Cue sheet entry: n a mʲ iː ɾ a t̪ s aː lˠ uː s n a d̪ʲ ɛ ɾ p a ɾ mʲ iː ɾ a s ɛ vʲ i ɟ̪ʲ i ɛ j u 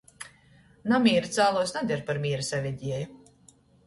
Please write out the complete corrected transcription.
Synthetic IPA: n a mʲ iː ɾ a t̪ s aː lˠ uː s n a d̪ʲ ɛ ɾ p a ɾ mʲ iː ɾ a s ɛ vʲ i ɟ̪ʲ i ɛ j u